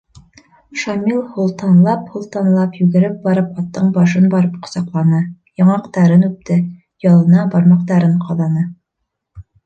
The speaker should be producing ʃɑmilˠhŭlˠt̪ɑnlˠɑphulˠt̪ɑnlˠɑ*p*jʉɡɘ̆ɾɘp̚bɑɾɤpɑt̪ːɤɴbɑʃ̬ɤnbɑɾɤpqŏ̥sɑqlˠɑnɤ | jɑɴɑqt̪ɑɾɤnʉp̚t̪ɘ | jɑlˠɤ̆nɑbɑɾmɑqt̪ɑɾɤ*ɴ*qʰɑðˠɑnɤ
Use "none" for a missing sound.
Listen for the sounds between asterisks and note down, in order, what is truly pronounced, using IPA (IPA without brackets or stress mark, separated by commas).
p, ɴ